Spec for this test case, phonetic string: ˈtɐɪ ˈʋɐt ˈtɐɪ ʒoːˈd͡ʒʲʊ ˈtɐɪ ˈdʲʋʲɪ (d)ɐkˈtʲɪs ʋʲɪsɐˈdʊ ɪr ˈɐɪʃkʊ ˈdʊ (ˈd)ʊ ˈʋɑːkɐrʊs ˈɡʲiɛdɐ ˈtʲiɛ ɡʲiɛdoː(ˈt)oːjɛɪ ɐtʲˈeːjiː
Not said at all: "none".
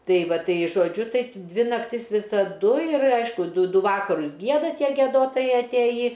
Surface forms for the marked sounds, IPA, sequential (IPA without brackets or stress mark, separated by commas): n, d, t